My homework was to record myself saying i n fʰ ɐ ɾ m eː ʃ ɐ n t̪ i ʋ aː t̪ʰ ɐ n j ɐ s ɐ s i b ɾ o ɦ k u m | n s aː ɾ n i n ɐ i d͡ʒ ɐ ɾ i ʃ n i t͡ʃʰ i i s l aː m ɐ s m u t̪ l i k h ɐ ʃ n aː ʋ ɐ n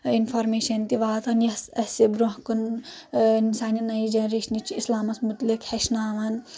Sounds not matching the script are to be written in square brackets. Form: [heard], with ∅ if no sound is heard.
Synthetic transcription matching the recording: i n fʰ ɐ ɾ m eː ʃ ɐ n t̪ i ʋ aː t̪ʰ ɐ n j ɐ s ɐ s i b ɾ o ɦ k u [n] | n s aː [∅] n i n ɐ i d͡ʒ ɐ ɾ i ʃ n i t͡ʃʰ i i s l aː m ɐ s m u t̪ l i k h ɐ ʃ n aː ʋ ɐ n